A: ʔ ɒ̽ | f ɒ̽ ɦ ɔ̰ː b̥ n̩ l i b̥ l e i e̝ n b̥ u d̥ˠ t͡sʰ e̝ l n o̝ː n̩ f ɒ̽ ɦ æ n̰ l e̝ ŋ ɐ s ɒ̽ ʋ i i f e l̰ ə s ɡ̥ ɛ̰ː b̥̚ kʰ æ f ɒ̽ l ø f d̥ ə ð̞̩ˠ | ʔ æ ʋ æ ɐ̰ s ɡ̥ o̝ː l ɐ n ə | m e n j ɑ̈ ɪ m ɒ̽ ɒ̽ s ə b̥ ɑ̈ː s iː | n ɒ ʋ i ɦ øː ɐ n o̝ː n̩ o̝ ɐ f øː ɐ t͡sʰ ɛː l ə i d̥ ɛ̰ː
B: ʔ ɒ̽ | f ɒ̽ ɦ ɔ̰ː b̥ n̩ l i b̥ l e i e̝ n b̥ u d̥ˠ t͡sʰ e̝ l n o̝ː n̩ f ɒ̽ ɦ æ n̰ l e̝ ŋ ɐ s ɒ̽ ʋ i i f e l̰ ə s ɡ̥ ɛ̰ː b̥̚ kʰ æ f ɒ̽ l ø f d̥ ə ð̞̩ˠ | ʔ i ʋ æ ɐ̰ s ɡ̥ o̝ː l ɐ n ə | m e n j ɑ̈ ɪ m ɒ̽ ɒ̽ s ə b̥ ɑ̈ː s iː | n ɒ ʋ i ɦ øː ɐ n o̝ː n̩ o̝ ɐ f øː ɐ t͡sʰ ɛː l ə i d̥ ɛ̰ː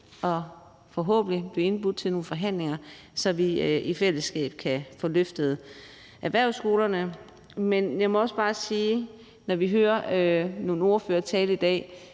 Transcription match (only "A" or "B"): A